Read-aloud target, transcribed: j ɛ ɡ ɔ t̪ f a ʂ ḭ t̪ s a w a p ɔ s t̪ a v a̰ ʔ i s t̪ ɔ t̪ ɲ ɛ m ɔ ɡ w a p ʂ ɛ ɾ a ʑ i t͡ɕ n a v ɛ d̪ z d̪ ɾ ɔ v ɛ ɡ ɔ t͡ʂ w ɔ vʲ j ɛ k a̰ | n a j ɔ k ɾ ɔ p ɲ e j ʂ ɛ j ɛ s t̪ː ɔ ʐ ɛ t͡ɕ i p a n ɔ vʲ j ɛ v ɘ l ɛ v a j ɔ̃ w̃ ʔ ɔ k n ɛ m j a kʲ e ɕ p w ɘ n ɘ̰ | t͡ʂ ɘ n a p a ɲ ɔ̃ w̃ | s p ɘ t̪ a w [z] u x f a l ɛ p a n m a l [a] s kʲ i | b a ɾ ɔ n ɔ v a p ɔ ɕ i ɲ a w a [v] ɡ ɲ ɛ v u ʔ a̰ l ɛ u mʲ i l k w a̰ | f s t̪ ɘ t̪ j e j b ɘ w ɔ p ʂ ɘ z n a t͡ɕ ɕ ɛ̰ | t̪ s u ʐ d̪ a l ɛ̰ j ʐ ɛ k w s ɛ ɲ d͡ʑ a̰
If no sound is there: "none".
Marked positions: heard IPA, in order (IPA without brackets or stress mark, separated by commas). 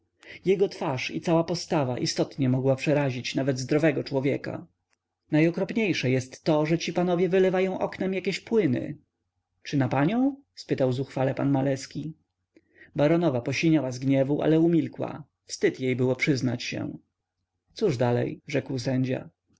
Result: z, ɛ, z